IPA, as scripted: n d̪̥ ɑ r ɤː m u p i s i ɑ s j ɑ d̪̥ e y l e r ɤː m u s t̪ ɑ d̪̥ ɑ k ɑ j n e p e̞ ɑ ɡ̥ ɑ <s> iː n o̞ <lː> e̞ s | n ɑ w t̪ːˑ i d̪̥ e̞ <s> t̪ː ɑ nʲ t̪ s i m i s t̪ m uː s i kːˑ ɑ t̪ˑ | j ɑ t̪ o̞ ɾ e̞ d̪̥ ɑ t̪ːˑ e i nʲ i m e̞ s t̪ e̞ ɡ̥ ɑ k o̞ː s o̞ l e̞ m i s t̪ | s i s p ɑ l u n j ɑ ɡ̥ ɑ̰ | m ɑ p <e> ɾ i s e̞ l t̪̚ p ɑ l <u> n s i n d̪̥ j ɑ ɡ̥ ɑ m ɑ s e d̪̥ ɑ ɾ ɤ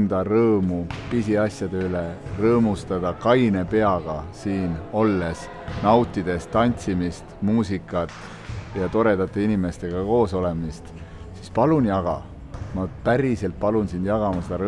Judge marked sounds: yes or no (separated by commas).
yes, yes, yes, no, yes